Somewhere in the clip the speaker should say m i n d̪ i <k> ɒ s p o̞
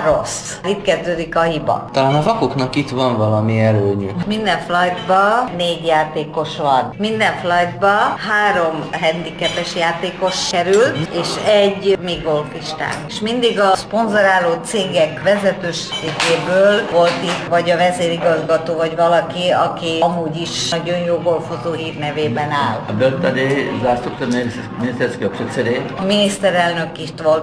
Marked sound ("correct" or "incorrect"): incorrect